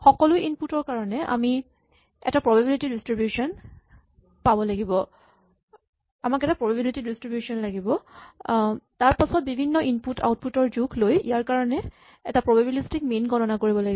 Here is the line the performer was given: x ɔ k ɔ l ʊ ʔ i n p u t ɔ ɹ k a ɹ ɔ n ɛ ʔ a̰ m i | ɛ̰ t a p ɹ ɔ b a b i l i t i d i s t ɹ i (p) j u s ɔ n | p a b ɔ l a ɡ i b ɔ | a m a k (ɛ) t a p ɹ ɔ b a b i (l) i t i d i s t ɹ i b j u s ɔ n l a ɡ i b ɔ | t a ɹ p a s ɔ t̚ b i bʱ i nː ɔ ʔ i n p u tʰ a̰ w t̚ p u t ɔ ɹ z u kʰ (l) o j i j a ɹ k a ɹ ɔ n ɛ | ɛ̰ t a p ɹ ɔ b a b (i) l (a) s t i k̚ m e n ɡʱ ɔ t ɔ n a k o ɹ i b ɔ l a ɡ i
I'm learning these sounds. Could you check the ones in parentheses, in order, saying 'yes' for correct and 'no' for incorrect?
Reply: no, yes, yes, yes, yes, no

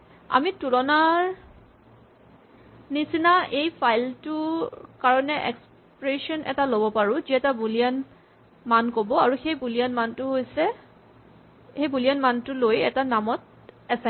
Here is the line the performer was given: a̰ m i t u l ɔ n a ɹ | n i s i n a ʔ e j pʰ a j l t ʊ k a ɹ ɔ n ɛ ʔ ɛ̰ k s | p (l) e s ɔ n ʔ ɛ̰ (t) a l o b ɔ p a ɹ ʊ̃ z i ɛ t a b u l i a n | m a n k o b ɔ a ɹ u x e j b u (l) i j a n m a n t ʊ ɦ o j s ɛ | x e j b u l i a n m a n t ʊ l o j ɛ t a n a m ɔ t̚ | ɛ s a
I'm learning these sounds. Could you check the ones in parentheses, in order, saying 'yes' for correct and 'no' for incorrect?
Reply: no, yes, yes

